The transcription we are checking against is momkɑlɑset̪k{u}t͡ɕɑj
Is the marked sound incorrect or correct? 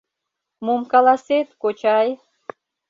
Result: incorrect